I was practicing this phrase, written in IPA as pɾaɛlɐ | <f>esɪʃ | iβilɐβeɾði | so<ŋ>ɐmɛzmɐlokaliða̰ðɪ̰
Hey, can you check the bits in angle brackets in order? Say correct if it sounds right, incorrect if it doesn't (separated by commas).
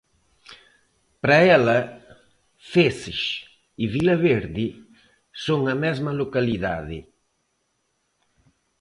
correct, correct